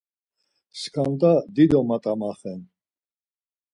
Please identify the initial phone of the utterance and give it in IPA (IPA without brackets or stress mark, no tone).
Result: s